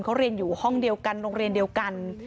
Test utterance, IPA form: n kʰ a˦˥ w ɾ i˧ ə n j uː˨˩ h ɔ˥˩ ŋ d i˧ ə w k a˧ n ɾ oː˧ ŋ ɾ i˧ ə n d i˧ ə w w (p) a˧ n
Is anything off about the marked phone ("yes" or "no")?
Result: yes